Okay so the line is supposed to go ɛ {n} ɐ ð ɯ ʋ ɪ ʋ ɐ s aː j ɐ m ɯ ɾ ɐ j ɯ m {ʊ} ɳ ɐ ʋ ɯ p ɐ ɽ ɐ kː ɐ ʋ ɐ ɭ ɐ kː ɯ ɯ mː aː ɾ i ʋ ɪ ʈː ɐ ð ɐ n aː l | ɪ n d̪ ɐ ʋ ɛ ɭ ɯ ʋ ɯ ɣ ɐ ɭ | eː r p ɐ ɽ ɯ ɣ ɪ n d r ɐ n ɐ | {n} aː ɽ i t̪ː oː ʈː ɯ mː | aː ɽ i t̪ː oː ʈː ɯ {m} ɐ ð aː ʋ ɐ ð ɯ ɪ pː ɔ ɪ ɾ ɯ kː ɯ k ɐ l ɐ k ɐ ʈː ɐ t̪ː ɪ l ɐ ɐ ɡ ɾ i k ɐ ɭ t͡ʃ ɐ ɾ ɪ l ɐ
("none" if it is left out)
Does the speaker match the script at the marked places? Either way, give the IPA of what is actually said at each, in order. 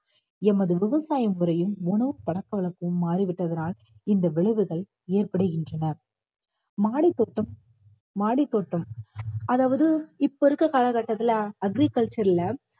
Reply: m, ʊ, m, m

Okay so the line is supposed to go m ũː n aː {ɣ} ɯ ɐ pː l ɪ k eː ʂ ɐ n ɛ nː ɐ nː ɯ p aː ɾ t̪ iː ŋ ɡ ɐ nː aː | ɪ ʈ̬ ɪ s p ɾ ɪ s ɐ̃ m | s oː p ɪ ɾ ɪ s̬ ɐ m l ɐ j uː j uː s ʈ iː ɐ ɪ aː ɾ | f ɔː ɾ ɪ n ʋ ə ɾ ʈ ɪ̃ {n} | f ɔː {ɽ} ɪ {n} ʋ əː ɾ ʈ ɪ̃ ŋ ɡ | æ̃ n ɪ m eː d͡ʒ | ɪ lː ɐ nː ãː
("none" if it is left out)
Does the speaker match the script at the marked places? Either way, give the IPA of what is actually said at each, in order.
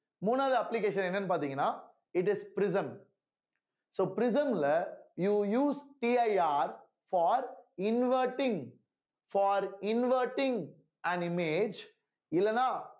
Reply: ð, ŋ, ɾ, n

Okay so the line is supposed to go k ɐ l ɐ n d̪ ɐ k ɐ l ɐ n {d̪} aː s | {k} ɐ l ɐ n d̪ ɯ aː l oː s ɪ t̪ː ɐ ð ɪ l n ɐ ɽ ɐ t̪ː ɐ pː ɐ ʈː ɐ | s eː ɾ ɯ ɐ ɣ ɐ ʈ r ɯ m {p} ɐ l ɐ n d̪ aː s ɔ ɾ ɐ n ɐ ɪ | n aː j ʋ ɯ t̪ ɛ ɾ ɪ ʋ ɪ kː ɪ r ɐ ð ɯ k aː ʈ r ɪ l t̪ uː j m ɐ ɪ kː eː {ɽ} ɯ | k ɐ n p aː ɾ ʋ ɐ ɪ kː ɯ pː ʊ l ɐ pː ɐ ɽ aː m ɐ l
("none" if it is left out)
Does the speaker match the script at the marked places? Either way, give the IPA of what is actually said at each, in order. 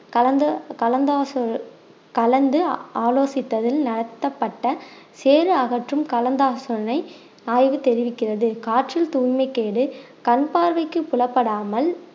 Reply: d̪, k, k, ɽ

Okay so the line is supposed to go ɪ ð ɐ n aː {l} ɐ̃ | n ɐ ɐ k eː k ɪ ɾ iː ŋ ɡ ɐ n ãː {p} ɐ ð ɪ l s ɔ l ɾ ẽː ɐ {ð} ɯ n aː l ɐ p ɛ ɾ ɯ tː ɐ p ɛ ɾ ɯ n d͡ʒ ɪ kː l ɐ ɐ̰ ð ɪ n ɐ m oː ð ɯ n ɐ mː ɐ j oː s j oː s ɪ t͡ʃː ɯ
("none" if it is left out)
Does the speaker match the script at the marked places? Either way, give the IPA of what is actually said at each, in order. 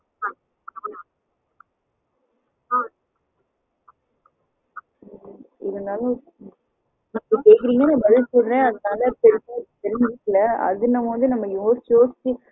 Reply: l, b, ð

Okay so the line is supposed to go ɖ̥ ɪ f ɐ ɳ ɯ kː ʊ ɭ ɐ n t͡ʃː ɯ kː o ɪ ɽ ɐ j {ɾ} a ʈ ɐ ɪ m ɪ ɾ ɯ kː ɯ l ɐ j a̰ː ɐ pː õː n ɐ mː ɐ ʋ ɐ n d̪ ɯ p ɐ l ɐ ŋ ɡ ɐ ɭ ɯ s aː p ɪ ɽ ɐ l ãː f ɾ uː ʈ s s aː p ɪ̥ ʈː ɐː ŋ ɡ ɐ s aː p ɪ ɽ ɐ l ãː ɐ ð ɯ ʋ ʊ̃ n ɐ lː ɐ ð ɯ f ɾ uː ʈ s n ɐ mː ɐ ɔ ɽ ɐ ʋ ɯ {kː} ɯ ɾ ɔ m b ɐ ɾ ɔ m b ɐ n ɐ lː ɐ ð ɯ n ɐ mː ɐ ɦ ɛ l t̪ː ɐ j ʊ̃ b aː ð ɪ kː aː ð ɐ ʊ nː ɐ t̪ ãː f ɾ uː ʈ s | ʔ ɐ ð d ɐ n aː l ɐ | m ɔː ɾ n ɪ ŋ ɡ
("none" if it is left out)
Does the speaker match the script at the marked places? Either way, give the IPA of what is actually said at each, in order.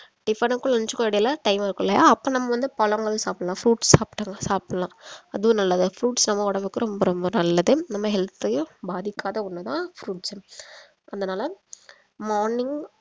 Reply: l, kː

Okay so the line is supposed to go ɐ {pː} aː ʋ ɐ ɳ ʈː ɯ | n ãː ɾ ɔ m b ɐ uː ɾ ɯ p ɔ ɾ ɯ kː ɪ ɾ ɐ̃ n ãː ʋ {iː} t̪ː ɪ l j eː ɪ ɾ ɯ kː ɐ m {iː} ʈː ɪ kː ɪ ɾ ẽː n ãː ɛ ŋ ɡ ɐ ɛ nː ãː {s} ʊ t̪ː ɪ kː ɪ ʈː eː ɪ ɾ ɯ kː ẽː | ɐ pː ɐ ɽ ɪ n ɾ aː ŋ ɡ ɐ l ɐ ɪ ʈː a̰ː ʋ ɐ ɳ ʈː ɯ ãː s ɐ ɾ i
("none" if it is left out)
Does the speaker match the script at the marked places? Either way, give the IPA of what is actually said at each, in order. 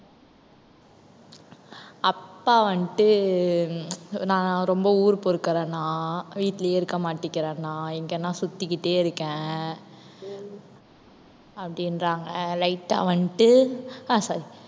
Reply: pː, iː, aː, s

